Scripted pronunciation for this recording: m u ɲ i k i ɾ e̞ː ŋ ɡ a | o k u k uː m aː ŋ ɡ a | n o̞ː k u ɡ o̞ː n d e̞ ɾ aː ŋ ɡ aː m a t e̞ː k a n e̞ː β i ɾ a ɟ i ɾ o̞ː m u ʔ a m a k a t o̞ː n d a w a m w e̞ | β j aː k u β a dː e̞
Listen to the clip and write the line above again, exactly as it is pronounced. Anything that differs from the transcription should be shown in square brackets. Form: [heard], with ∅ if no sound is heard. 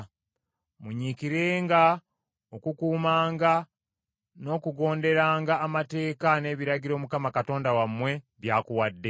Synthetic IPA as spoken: m u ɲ i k i ɾ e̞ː ŋ ɡ a | o k u k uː m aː ŋ ɡ a | n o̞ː k u ɡ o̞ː n d e̞ ɾ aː ŋ ɡ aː m a t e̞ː k a n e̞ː β i ɾ a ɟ i ɾ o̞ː m u [k] a m a k a t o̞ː n d a w a m w e̞ | β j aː k u [w] a dː e̞